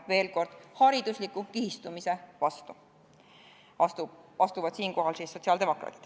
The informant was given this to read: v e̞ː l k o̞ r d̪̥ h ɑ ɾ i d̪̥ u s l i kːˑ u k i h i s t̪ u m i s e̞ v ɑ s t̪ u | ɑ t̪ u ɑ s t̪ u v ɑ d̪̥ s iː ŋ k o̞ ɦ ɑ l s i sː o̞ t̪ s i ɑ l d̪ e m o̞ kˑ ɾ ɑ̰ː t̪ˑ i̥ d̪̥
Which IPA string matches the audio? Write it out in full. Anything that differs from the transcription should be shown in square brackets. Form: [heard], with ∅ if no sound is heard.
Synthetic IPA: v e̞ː l k o̞ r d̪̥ h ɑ ɾ i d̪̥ u s l i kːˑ u k i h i s t̪ u m i s e̞ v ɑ s t̪ u | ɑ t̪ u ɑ s t̪ u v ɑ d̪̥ s iː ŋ k o̞ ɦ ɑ l s i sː o̞ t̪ s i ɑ l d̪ e m o̞ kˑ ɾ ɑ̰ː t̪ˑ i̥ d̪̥